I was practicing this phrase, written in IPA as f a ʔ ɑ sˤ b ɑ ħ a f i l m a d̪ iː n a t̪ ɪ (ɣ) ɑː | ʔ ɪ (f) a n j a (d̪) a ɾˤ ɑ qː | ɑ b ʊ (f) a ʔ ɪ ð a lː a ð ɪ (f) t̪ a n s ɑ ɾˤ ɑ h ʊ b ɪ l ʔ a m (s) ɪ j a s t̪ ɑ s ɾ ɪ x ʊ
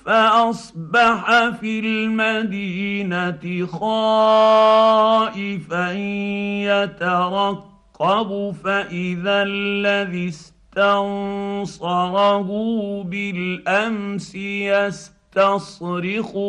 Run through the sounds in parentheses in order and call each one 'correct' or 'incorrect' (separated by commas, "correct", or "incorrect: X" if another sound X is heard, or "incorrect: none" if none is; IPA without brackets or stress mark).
incorrect: x, correct, incorrect: t̪, correct, incorrect: s, correct